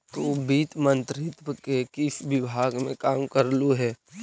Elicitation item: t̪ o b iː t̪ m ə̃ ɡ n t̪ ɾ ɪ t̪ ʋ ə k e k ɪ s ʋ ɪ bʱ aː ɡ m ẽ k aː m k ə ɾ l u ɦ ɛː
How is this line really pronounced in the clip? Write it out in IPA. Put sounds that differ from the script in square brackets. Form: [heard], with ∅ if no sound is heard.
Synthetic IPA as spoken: t̪ o b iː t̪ m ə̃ [∅] n t̪ ɾ ɪ t̪ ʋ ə k e k ɪ s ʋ ɪ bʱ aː ɡ m ẽ k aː m k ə ɾ l u ɦ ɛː